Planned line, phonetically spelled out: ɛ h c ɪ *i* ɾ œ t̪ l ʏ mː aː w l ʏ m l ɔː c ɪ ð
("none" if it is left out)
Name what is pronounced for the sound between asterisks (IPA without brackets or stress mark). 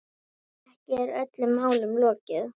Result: ɛ